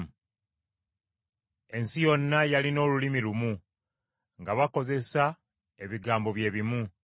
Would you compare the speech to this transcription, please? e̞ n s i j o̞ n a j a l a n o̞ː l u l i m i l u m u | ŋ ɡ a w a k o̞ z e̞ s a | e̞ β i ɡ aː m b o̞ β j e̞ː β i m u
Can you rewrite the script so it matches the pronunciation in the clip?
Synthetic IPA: e̞ n s i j o̞ nː a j a l i n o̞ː l u l i m i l u m u | ŋ ɡ a β a k o̞ z e̞ s a | e̞ β i ɡ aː m b o̞ β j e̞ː β i m u